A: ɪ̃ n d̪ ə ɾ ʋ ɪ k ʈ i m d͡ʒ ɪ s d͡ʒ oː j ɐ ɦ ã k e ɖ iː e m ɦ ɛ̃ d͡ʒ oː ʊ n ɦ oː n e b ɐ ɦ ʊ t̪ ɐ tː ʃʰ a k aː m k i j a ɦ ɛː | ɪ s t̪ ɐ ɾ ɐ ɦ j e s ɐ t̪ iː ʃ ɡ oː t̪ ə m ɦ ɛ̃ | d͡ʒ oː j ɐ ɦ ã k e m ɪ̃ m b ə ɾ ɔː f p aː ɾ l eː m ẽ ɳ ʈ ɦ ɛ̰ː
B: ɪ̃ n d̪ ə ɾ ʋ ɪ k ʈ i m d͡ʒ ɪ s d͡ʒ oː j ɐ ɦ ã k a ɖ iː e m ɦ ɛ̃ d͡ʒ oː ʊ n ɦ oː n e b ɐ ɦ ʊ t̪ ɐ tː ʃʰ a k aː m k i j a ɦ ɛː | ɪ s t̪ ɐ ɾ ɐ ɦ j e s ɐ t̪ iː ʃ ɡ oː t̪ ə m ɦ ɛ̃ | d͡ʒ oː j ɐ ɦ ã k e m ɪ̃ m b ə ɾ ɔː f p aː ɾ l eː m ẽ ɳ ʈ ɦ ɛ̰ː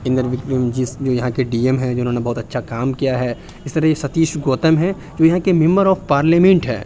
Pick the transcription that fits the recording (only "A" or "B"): A